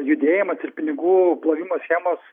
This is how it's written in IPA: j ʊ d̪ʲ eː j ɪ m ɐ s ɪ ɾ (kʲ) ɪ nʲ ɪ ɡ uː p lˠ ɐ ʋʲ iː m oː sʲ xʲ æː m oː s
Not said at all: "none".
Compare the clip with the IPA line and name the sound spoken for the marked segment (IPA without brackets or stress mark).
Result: pʲ